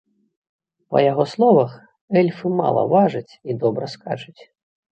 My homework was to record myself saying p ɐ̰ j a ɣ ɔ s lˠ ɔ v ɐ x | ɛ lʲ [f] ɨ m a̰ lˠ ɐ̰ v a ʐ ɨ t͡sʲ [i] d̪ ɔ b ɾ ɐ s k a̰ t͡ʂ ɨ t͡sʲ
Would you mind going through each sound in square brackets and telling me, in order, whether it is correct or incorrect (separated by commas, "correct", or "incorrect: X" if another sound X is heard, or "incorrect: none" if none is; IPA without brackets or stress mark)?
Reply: correct, correct